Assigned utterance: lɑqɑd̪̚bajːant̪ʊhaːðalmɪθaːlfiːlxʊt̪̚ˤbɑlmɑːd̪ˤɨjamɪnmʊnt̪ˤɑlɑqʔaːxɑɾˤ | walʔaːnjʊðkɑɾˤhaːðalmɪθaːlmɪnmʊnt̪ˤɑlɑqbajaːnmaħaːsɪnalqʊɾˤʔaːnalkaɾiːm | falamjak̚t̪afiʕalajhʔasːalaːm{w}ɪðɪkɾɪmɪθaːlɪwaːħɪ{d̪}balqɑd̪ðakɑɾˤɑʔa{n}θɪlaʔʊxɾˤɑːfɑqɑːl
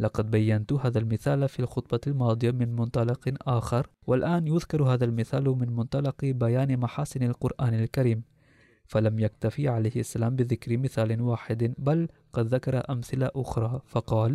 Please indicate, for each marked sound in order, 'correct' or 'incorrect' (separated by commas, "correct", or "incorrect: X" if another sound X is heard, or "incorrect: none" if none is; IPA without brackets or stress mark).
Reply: incorrect: b, correct, incorrect: m